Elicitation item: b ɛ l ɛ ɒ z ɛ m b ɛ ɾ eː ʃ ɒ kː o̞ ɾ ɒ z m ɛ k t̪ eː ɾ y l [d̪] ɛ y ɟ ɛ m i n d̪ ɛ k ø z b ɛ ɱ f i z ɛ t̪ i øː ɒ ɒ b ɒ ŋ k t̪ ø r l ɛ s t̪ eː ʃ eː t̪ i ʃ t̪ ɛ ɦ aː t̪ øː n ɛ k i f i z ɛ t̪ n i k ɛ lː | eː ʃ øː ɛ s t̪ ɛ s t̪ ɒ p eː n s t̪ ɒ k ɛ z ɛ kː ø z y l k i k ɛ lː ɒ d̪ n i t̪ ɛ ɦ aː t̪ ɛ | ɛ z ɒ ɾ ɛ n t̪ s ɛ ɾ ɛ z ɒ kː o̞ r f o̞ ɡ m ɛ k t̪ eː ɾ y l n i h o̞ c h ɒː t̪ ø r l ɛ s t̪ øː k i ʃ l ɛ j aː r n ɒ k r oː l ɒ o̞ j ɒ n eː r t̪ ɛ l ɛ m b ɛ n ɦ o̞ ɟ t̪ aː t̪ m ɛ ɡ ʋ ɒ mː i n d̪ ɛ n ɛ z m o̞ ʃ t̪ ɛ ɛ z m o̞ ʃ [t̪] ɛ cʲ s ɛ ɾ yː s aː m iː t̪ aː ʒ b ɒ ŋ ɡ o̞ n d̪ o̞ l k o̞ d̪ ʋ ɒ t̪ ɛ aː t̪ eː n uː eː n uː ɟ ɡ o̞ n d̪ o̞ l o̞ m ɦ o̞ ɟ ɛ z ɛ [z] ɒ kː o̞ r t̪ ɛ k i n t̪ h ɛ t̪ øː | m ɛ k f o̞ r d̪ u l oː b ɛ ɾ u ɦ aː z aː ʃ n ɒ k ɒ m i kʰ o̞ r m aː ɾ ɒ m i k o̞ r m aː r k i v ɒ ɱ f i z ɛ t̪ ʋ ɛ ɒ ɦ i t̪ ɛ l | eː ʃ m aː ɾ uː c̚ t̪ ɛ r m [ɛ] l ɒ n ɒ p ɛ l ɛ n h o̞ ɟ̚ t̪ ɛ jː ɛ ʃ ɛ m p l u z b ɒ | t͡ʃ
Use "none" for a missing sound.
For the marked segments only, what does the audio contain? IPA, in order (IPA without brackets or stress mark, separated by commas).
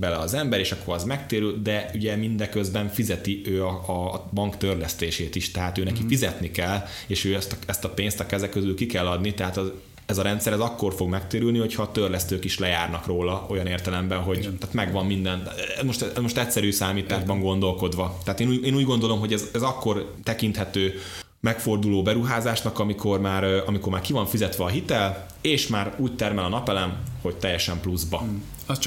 d̪, t̪, z, ɛ